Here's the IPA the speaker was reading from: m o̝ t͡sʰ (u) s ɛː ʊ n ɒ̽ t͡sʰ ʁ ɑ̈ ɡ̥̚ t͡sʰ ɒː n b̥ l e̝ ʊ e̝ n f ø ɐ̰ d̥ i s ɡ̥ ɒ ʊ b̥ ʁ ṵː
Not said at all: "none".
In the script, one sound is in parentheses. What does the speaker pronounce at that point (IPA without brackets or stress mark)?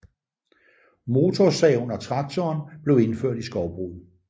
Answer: ɒ